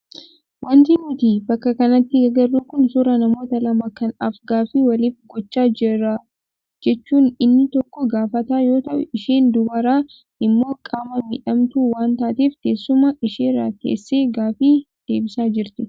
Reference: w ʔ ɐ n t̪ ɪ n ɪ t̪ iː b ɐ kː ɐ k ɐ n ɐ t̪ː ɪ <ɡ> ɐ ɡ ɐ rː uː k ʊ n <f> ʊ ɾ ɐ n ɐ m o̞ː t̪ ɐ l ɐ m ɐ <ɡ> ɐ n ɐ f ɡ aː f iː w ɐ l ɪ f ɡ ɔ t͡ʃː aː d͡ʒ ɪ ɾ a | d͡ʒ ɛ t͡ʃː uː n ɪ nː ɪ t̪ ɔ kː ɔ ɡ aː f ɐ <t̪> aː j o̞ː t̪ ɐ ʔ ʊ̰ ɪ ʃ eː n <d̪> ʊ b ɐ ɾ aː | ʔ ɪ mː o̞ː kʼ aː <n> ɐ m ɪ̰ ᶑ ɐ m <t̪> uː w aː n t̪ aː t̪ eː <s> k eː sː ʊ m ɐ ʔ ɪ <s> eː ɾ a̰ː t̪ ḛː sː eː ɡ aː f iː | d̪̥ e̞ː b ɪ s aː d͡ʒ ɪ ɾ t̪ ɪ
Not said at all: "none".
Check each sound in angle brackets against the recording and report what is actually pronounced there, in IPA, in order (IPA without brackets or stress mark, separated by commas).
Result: ɡ, s, k, t̪, d̪, m, t̪, f, ʃ